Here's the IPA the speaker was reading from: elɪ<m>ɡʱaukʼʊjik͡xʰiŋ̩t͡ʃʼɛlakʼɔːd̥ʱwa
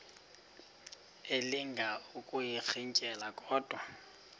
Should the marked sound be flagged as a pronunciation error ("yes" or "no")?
yes